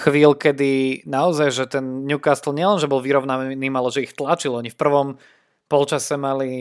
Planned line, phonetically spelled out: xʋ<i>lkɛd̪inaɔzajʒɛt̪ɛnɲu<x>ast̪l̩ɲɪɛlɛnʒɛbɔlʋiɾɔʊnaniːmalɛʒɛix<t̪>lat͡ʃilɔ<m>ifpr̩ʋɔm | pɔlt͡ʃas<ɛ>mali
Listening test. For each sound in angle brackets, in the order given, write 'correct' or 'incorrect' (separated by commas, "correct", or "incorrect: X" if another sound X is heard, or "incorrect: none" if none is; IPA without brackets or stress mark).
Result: incorrect: iː, incorrect: k, correct, incorrect: ɲ, correct